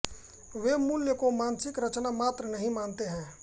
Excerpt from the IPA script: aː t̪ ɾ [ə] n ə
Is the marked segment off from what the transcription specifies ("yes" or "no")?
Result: no